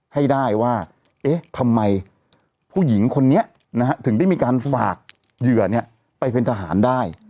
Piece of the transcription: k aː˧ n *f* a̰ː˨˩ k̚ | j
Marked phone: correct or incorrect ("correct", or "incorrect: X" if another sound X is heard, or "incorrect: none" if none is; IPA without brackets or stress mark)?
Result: correct